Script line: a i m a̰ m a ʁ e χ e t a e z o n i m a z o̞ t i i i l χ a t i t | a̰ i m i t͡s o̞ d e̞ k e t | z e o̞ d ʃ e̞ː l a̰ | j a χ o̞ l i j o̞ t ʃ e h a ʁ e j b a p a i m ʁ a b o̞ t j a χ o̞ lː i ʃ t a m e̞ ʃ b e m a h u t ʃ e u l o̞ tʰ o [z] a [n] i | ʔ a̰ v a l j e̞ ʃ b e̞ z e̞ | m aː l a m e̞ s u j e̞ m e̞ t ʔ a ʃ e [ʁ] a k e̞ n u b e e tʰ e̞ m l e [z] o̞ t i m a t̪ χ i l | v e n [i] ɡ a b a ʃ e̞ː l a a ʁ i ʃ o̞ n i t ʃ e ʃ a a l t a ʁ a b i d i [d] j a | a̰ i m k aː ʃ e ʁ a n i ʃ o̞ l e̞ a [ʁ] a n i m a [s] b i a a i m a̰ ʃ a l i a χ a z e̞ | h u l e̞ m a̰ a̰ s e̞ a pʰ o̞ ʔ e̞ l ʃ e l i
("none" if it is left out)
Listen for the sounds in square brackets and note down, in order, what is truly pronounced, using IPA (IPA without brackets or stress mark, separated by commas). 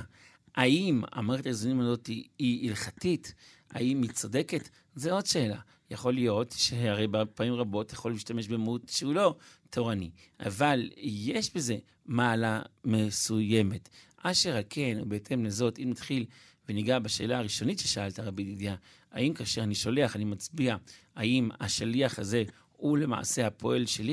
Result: ʁ, n, ʁ, z, i, d, χ, t͡s